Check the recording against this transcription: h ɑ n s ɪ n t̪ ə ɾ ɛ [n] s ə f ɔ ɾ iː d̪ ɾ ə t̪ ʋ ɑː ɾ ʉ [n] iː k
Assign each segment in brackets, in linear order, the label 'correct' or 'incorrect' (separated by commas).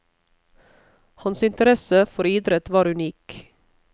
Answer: incorrect, correct